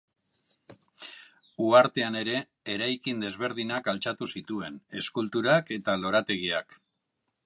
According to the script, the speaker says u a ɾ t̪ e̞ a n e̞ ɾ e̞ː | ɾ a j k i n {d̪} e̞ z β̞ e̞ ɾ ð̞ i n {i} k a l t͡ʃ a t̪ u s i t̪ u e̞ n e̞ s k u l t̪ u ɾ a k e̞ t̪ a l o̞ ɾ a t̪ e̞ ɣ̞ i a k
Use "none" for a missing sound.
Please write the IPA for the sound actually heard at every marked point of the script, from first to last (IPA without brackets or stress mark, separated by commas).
d̪, a